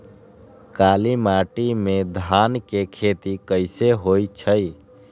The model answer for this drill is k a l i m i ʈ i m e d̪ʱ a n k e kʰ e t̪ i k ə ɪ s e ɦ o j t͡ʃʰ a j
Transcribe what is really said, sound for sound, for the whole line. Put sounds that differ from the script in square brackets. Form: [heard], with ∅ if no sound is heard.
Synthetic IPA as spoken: k a l i m [a] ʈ i m e d̪ʱ a n k e kʰ e t̪ i k ə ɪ s e ɦ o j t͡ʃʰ [ə] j